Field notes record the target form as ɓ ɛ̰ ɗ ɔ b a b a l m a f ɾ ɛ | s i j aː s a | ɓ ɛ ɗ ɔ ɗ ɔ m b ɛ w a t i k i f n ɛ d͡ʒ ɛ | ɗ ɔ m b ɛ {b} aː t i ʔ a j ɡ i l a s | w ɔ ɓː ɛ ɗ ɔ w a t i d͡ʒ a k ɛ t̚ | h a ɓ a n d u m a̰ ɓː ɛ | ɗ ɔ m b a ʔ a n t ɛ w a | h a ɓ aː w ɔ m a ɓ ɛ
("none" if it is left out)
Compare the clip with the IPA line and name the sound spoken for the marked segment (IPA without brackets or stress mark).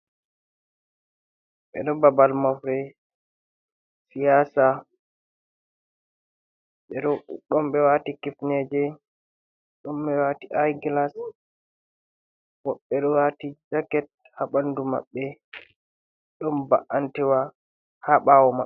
w